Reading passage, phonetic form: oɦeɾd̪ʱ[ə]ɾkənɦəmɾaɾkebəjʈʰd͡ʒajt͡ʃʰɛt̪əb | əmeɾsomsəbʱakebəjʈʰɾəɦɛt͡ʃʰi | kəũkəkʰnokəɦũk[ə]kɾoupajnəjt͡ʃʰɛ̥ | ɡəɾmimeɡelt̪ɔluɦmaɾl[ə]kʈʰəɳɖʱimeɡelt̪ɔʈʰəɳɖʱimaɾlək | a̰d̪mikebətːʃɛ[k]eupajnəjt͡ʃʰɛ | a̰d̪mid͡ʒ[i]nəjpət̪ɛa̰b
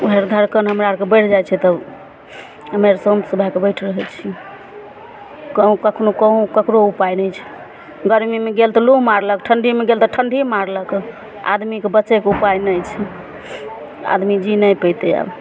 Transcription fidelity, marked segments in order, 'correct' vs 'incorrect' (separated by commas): correct, correct, correct, correct, correct